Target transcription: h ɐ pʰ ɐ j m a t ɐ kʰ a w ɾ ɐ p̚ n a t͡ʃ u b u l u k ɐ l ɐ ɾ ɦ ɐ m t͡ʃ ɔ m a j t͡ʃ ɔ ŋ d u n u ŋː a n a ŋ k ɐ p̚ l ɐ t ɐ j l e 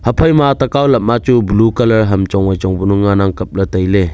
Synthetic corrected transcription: h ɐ pʰ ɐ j m a t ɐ k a w l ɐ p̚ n a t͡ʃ u b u l u k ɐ l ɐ ɾ ɦ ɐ m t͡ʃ ɔ ŋ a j t͡ʃ ɔ ŋ b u n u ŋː a n a ŋ k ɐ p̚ l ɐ t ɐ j l e